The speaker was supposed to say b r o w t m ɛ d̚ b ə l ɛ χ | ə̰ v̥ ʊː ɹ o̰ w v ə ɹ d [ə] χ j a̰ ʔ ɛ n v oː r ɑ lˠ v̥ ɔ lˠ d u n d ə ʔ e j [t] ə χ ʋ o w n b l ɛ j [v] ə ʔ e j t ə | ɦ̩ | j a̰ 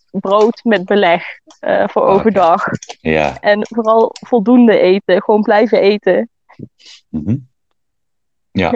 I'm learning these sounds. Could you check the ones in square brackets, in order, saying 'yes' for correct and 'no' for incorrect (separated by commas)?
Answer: no, yes, yes